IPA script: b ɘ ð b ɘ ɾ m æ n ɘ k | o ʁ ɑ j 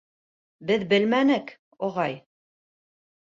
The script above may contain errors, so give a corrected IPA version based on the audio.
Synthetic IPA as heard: b ɘ ð b ɘ l m æ n ɘ k | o ʁ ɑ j